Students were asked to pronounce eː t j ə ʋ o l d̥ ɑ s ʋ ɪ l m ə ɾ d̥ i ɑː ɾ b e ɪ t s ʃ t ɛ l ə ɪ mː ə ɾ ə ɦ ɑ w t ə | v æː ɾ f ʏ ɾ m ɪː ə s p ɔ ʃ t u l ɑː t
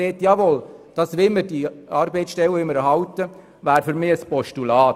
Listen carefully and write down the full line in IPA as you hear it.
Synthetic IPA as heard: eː t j ɑ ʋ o l d̥ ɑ s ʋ ɪ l m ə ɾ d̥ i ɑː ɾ b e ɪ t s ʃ t ɛ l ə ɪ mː ə ɾ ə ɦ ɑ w t ə | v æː ɾ f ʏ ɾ m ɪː ə s p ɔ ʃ t u l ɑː t